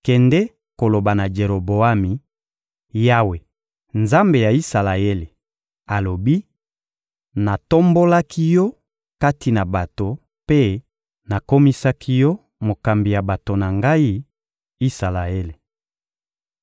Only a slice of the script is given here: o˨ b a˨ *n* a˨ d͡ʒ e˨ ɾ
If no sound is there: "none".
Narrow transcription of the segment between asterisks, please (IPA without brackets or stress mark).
n